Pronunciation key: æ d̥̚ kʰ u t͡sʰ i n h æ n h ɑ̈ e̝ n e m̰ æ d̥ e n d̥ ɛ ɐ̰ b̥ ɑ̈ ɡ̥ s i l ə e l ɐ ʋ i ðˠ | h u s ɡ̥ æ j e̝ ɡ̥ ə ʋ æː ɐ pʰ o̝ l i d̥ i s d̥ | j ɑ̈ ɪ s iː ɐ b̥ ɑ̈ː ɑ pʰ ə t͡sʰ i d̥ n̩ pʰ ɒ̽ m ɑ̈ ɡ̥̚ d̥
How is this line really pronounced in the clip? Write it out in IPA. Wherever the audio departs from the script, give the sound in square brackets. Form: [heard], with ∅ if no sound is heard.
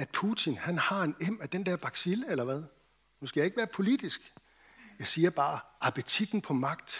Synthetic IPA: æ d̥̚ [pʰ] u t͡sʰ i n h æ n h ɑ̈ e̝ n e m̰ æ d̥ e n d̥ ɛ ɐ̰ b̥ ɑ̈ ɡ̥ s i l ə e l ɐ ʋ [æ] ðˠ | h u s ɡ̥ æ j e̝ ɡ̥ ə ʋ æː ɐ pʰ o̝ l i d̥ i s [ɡ̥] | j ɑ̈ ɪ s iː ɐ b̥ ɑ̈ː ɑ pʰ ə t͡sʰ i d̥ n̩ pʰ ɒ̽ m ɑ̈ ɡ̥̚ d̥